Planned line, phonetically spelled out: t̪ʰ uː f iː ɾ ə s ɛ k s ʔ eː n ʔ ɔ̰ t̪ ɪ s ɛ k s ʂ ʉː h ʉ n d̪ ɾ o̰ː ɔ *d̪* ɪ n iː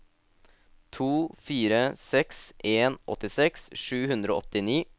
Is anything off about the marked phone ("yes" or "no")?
yes